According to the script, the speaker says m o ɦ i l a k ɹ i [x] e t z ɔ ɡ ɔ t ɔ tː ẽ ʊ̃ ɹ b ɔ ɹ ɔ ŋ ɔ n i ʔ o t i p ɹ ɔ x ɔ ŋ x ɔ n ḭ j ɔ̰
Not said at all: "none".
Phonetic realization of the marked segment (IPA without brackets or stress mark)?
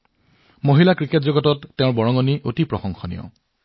k